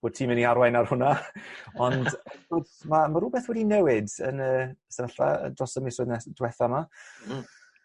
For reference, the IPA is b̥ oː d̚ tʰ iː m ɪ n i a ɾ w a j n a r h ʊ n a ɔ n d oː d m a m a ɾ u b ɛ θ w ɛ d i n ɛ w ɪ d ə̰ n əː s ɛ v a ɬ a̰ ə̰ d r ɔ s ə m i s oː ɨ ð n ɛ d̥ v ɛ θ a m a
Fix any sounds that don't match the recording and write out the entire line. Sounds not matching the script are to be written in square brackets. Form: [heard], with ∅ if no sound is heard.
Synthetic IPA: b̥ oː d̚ tʰ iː m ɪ n i a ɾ w a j n a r h ʊ n a ɔ n d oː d m a m a ɾ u b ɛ θ w ɛ d i n ɛ w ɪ d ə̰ n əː s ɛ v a ɬ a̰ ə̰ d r ɔ s ə m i s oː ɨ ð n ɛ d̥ [w] ɛ θ a m a